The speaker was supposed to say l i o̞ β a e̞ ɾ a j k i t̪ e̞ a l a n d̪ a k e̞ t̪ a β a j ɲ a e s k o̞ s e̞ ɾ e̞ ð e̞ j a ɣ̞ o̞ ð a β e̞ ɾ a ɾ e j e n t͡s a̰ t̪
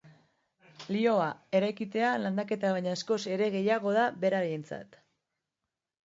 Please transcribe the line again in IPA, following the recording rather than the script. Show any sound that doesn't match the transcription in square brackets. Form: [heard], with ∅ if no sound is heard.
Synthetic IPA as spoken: l i o̞ [∅] a e̞ ɾ a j k i t̪ e̞ a l a n d̪ a k e̞ t̪ a β a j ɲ a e s k o̞ s e̞ ɾ e̞ [ɣ] e̞ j a ɣ̞ o̞ ð a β e̞ ɾ a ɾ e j e n t͡s a̰ t̪